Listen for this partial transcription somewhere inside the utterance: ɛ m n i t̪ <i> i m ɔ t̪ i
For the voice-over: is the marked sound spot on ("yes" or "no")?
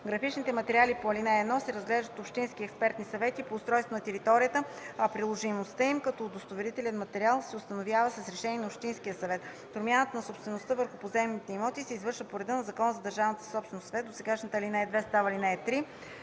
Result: no